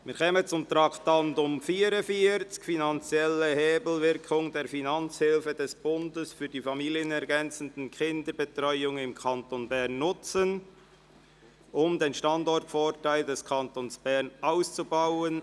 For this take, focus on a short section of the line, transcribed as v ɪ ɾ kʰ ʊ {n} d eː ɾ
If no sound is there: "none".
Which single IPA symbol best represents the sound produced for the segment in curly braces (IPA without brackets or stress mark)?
ŋ